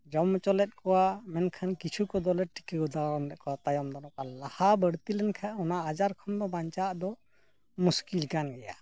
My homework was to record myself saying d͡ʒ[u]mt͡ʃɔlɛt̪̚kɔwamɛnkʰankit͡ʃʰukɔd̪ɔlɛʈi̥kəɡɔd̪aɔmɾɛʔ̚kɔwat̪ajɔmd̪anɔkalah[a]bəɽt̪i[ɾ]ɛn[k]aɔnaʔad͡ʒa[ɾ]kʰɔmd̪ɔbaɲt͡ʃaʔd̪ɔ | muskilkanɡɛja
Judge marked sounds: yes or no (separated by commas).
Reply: no, yes, no, no, yes